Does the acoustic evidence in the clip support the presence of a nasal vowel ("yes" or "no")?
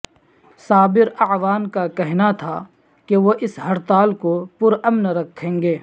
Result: yes